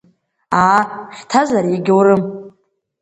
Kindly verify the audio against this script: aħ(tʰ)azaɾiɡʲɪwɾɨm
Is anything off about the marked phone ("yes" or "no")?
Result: no